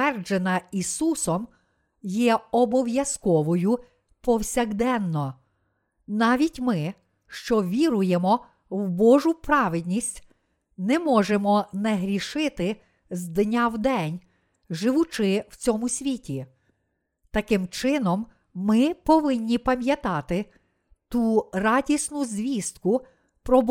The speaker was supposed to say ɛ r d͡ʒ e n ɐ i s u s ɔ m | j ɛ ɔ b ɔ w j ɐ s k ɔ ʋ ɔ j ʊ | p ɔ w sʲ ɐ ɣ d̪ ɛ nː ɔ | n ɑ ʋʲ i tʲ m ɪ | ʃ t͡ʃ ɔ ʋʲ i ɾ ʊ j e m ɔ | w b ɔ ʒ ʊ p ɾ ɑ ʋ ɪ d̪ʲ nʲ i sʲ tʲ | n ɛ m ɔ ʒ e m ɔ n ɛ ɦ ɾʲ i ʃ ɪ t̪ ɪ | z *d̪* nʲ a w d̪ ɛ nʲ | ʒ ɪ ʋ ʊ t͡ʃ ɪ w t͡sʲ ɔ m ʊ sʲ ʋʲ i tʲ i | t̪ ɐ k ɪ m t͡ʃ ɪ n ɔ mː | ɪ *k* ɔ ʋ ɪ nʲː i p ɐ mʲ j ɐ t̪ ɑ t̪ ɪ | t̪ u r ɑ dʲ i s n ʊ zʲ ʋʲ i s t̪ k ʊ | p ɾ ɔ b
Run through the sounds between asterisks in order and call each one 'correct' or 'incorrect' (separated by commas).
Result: correct, incorrect